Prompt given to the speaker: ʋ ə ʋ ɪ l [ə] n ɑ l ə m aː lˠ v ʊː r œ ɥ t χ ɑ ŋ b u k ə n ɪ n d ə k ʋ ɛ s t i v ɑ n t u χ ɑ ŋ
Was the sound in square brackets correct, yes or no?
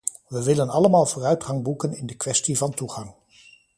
yes